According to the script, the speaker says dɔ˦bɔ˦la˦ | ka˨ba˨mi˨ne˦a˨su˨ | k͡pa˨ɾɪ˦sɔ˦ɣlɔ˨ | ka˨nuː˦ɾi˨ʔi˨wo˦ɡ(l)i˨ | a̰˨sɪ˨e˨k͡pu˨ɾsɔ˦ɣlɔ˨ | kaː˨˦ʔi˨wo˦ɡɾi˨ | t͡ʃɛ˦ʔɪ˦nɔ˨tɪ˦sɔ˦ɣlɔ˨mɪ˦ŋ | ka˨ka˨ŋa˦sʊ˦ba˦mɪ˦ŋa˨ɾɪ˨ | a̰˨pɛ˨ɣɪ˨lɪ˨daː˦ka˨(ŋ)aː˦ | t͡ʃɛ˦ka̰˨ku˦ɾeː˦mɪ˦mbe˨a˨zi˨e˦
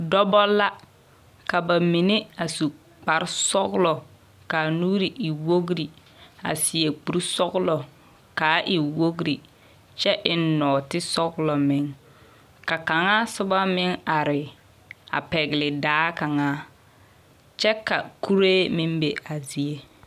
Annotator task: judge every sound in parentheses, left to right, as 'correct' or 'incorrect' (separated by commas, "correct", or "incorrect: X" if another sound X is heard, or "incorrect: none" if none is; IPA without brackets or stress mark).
incorrect: ɾ, correct